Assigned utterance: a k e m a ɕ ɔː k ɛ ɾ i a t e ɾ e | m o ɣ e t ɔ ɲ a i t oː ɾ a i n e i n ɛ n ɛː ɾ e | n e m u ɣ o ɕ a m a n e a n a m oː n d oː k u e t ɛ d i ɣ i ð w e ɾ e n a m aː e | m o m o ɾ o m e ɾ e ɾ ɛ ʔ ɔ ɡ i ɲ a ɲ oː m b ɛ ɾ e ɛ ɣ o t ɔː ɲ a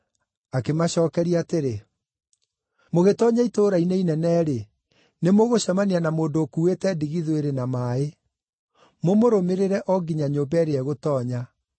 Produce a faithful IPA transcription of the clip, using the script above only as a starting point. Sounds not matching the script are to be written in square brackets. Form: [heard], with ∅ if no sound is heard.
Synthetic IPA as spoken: a k e m a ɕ ɔː k ɛ ɾ i a t e ɾ e | m o ɣ e t ɔ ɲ a i t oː ɾ a i n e i n ɛ n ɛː ɾ e | n e m [o] ɣ o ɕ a m a n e a n a m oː n d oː k u e t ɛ d i ɣ i ð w e ɾ e n a m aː e | m o m o ɾ o m e ɾ e ɾ ɛ ʔ ɔ ɡ i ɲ a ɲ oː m b ɛ ɾ e ɛ ɣ o t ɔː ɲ a